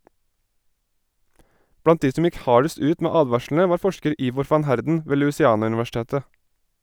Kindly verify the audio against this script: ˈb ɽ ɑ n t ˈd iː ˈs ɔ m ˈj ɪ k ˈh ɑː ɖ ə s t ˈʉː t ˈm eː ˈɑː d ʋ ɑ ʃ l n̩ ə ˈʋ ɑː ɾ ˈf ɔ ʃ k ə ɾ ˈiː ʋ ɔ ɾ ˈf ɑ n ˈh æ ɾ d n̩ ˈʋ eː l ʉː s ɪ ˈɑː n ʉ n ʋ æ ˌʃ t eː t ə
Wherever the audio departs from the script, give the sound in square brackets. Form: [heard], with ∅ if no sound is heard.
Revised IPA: ˈb ɽ ɑ n t ˈd iː ˈs ɔ m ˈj ɪ k ˈh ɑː ɖ ə s t ˈʉː t ˈm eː ˈɑː d ʋ ɑ ʃ l n̩ ə ˈʋ ɑː ɾ ˈf ɔ ʃ k ə ɾ ˈiː ʋ ɔ ɾ ˈf ɑ n ˈh æ ɾ d n̩ ˈʋ eː l ʉː s ɪ ˈɑː n ʉ n ʋ æ ˌʃ t eː t ə